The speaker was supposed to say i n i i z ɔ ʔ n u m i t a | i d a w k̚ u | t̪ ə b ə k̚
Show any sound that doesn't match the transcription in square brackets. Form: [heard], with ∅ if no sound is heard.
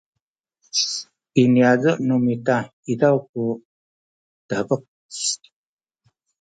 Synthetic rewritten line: i n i [a] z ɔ ʔ n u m i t a | i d a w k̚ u | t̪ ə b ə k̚